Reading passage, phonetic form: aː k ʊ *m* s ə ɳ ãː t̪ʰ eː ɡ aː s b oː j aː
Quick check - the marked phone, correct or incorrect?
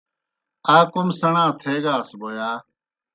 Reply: correct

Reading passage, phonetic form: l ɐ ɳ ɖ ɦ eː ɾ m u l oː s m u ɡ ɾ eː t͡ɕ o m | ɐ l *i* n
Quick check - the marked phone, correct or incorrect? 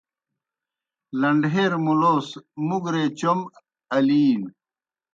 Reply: incorrect: iː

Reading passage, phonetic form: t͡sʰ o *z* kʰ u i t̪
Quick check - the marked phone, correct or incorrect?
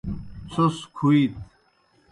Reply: incorrect: s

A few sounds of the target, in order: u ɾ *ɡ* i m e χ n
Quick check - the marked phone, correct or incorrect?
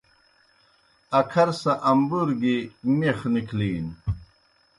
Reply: correct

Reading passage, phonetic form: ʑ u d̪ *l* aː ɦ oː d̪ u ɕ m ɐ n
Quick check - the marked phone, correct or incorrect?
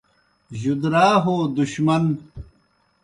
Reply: incorrect: ɾ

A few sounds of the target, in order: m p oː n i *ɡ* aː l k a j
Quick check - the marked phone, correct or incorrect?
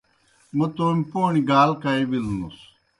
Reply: correct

